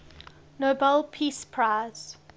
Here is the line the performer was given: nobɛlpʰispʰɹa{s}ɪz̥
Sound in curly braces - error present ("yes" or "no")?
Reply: yes